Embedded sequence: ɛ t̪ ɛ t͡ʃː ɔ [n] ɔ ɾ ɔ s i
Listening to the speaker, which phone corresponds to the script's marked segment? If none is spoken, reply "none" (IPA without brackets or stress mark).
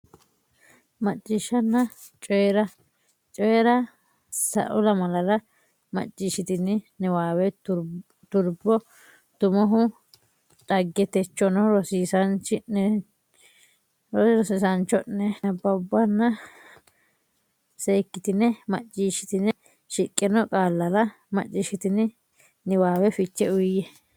n